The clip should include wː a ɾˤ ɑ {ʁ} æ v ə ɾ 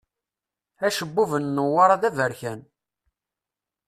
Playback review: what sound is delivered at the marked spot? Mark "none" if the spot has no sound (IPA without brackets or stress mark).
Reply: ð